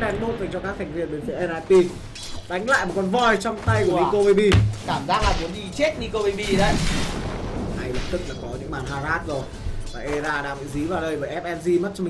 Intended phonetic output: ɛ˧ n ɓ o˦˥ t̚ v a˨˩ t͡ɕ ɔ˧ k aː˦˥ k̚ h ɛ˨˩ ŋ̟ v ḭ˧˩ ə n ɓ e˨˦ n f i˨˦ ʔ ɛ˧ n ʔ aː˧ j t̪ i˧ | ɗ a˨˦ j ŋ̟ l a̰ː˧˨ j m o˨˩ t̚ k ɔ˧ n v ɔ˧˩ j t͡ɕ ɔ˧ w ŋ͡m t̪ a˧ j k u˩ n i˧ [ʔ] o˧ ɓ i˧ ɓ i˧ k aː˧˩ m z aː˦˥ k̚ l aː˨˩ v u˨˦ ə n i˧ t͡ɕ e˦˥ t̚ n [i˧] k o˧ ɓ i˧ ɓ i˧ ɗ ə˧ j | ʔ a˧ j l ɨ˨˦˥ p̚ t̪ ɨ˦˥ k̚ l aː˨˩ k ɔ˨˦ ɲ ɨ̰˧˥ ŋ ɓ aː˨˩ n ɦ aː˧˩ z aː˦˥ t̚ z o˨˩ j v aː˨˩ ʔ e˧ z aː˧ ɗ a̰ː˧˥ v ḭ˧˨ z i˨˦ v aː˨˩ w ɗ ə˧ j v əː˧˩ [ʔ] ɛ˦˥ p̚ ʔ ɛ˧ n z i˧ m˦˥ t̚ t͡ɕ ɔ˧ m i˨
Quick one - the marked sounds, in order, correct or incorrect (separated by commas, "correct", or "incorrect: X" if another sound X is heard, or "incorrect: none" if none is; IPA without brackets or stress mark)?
incorrect: k, correct, correct